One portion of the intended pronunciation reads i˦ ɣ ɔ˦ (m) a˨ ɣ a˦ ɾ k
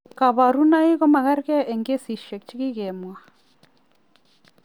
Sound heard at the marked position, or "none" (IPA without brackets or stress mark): m